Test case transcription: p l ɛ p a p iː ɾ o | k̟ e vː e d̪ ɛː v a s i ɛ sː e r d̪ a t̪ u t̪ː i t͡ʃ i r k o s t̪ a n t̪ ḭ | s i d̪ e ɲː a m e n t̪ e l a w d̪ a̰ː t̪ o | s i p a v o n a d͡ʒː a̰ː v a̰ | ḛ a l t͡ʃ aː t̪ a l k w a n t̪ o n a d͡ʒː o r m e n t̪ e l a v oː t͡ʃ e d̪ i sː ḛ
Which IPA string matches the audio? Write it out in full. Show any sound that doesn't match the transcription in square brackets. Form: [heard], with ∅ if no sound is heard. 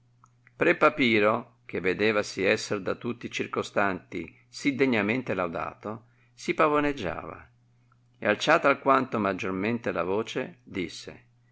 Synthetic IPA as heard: p [ɾ] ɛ p a p iː ɾ o | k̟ e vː e d̪ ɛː v a s i ɛ sː e r d̪ a t̪ u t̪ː i t͡ʃ i r k o s t̪ a n t̪ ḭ | s i d̪ e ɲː a m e n t̪ e l a w d̪ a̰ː t̪ o | s i p a v o n [e] d͡ʒː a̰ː v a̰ | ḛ a l t͡ʃ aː t̪ a l k w a n t̪ o [m] a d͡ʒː o r m e n t̪ e l a v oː t͡ʃ e d̪ i sː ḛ